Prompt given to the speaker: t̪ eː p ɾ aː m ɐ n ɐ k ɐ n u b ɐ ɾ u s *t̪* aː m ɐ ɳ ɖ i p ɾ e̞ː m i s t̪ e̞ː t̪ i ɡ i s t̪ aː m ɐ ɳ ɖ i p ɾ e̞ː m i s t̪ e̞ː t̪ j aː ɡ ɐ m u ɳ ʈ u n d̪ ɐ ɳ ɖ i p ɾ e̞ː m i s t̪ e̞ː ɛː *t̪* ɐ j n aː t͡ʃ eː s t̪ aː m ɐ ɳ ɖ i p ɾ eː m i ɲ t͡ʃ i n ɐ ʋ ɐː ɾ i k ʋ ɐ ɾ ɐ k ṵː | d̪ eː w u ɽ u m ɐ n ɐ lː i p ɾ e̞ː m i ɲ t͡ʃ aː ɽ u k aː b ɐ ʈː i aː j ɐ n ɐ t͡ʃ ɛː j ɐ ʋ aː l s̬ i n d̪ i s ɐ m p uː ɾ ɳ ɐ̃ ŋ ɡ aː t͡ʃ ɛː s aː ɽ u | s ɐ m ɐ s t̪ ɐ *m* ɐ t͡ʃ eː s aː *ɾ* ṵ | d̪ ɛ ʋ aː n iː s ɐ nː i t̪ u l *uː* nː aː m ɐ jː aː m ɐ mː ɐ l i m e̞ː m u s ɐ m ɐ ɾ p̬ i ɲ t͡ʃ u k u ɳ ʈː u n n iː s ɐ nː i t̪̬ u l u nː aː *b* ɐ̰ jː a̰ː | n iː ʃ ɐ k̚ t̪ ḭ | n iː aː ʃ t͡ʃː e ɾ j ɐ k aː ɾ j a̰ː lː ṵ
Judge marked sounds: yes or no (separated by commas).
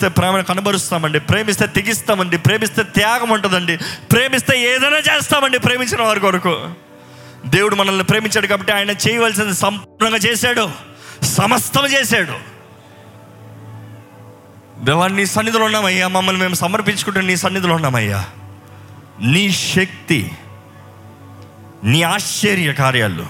yes, no, yes, no, no, no